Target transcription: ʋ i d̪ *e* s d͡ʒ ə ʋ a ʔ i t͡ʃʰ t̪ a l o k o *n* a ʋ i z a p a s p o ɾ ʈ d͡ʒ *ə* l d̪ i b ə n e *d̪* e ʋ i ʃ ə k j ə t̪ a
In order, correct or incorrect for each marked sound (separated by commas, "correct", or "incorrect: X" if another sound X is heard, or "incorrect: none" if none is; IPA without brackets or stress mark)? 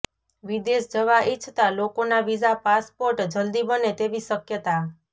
correct, correct, correct, incorrect: t̪